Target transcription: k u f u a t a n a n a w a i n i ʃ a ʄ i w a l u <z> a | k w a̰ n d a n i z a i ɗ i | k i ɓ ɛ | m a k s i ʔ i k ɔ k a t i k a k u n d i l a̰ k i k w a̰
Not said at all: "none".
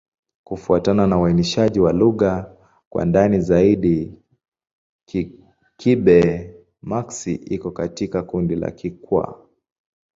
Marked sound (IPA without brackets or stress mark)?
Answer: ɣ